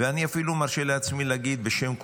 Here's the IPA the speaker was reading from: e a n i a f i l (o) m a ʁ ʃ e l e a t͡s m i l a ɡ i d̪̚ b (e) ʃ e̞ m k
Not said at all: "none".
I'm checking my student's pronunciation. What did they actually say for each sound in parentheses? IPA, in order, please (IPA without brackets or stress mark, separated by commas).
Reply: u, e